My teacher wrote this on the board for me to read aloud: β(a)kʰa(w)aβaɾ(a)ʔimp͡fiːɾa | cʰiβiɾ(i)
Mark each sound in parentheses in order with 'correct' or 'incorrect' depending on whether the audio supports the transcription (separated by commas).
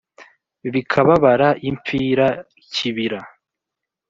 incorrect, incorrect, correct, incorrect